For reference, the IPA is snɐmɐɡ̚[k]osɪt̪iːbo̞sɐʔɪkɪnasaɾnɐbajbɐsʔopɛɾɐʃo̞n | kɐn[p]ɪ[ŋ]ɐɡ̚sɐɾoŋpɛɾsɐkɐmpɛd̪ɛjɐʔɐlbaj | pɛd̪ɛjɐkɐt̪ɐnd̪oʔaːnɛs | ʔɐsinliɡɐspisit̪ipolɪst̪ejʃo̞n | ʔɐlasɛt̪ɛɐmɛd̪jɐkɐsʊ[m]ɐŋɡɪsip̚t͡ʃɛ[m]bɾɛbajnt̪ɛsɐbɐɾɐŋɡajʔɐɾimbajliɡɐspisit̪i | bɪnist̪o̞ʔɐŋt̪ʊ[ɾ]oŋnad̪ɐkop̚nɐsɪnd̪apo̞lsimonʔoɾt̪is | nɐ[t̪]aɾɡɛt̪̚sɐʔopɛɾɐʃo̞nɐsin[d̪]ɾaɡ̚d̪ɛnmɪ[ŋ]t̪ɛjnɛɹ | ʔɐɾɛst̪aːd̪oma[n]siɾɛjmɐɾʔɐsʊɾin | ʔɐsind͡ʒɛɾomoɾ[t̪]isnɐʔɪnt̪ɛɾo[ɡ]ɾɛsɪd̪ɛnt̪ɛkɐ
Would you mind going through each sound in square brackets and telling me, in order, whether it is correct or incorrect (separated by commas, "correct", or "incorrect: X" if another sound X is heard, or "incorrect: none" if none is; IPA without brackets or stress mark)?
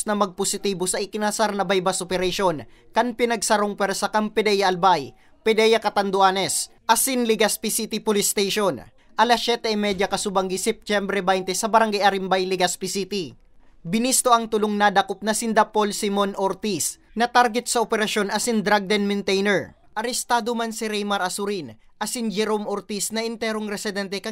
incorrect: p, correct, incorrect: n, incorrect: b, correct, incorrect: l, correct, correct, incorrect: n, correct, correct, incorrect: ŋ